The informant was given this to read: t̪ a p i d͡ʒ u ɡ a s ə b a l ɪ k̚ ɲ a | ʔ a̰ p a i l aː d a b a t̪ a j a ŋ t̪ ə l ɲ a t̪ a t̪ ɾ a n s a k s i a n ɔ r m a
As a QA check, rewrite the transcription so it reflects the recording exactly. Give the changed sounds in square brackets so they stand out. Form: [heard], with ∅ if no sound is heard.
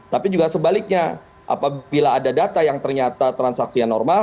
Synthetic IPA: t̪ a p i d͡ʒ u ɡ a s ə b a l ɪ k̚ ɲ a | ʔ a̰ p a i l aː d a [d] a t̪ a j a ŋ t̪ ə [r] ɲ a t̪ a t̪ ɾ a n s a k s i a n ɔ r m a